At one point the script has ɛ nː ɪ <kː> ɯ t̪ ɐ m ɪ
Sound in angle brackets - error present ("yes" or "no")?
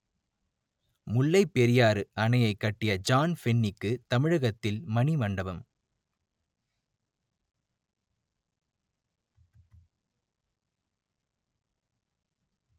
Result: no